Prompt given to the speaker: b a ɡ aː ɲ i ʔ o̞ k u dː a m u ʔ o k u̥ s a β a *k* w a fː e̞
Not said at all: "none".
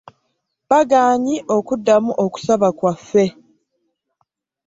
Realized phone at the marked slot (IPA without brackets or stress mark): k